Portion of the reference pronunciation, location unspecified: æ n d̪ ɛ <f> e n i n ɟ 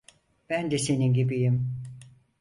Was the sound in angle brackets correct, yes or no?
no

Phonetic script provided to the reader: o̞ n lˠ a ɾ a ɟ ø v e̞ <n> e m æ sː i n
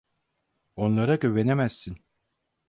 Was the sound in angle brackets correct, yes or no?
yes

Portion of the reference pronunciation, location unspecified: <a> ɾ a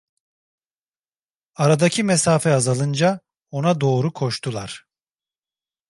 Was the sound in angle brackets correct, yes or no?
yes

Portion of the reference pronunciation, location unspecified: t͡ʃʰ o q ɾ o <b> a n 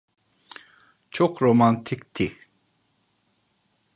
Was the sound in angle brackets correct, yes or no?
no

